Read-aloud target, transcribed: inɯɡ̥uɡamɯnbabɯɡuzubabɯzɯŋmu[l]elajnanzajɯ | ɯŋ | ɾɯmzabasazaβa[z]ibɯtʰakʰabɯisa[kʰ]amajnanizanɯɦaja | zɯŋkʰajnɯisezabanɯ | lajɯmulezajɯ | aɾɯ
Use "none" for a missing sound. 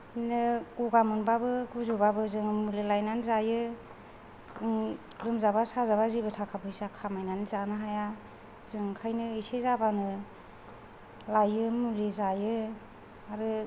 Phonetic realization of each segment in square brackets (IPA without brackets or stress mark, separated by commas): l, z, kʰ